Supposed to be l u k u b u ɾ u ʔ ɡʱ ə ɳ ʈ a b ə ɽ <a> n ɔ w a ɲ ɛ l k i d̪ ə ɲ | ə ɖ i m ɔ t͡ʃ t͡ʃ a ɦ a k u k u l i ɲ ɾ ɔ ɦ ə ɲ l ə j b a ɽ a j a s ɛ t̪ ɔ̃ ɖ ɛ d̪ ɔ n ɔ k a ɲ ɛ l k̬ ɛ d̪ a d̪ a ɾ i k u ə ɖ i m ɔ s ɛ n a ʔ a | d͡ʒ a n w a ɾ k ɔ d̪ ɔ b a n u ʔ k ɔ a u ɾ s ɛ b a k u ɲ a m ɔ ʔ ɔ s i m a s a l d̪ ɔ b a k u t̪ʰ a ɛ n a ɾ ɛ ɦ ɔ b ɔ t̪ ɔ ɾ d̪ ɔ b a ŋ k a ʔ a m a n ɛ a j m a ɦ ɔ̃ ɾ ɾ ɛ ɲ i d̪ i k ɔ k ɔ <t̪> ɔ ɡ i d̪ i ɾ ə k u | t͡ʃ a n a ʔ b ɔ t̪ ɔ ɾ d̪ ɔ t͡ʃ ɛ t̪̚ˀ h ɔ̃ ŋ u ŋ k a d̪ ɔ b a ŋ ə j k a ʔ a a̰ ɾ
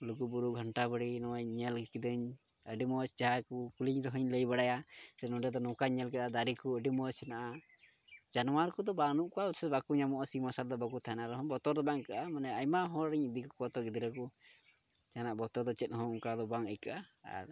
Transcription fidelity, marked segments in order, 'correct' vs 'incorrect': incorrect: i, correct

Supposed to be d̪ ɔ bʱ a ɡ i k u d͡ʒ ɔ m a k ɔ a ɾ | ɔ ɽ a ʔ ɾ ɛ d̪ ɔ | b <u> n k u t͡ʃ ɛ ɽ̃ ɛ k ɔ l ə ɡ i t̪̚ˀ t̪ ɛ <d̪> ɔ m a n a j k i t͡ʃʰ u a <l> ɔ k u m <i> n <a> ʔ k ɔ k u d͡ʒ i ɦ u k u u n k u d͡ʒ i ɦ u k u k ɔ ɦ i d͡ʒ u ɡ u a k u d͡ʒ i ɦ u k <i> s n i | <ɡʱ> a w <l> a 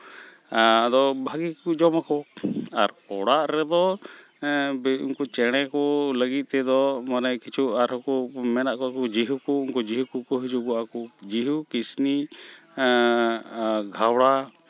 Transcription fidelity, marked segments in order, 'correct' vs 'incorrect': correct, correct, incorrect: ɾ, incorrect: ɛ, correct, correct, correct, incorrect: ɽ

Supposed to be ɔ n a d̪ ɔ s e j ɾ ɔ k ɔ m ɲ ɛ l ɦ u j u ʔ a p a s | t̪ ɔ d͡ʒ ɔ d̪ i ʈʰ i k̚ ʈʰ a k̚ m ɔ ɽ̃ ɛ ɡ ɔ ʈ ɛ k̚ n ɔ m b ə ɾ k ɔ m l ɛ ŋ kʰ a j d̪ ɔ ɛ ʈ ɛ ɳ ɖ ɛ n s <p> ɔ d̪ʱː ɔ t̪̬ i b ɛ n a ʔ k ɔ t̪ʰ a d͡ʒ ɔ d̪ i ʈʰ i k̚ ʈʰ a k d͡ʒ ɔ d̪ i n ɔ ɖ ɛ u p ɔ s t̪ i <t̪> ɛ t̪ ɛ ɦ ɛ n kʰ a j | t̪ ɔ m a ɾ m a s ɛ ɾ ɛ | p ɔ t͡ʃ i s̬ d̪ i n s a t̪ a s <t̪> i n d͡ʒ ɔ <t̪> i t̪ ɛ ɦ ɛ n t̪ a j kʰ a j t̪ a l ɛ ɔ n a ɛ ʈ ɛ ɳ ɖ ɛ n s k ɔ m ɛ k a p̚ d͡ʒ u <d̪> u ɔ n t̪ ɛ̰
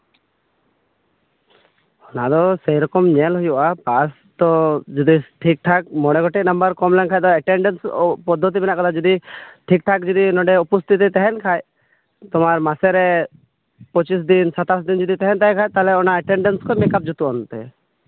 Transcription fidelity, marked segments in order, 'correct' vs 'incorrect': correct, correct, incorrect: d̪, incorrect: d̪, incorrect: t̪

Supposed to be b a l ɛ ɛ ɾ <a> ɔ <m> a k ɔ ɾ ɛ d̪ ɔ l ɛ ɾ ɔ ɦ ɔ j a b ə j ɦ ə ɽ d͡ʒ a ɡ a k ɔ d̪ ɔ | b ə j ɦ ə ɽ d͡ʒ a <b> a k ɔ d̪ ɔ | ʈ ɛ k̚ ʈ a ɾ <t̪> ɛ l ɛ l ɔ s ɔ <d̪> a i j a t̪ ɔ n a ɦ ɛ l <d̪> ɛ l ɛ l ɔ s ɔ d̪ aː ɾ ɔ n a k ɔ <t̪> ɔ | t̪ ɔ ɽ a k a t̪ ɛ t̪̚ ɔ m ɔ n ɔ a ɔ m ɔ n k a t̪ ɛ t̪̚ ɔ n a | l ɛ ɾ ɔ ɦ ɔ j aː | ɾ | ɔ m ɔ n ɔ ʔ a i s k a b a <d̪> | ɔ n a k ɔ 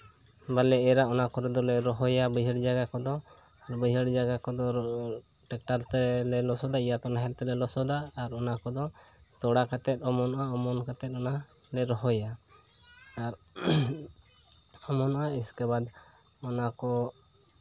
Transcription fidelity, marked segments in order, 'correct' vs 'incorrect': correct, incorrect: n, incorrect: ɡ, correct, correct, incorrect: t̪, incorrect: d̪, correct

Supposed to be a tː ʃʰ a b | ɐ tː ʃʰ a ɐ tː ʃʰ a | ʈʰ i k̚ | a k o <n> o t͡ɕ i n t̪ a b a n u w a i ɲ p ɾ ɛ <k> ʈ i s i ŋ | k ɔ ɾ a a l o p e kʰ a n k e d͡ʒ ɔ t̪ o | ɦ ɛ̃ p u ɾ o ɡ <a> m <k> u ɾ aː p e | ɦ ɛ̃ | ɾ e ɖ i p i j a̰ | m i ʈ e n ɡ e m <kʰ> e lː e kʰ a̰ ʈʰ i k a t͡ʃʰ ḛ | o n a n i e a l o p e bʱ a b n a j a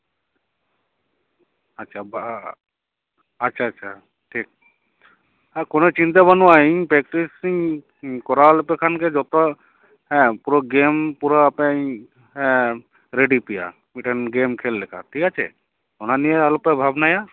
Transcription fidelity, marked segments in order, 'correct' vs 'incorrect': correct, correct, incorrect: e, incorrect: p, correct

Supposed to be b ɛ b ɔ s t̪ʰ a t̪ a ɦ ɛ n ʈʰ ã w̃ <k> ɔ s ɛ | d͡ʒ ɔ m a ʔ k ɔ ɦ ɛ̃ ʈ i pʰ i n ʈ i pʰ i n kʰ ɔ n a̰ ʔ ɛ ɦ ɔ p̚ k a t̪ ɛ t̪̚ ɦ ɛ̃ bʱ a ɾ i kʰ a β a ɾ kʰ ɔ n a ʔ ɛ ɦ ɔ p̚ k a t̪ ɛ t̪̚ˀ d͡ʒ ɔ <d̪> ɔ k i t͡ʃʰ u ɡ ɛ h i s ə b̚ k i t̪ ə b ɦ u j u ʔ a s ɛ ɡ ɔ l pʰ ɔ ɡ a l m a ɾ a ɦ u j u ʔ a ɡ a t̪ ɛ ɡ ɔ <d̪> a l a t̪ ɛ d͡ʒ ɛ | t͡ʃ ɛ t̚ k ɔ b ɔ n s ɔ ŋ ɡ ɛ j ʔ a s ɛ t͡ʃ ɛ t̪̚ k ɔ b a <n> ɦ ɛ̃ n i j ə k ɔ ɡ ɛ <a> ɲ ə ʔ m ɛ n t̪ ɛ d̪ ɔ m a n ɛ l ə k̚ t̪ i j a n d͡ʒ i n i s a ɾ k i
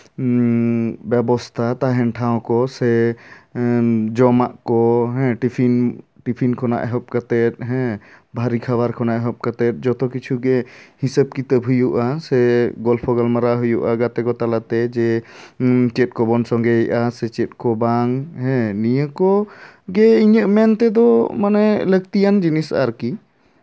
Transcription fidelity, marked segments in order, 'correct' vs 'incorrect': correct, incorrect: t̪, incorrect: t̪, incorrect: ŋ, incorrect: i

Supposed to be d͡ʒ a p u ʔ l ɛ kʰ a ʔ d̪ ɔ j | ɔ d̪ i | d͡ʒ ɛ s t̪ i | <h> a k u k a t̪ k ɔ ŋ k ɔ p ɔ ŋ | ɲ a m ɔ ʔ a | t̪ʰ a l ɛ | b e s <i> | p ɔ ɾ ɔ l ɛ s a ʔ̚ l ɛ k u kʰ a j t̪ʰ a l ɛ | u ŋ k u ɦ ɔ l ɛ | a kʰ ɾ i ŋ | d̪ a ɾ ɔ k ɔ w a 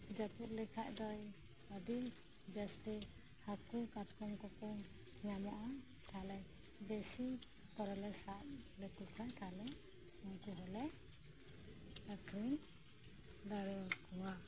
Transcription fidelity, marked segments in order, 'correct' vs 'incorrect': correct, correct

